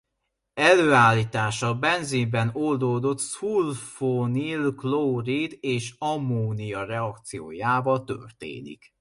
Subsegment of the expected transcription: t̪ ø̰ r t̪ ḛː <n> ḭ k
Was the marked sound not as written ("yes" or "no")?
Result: no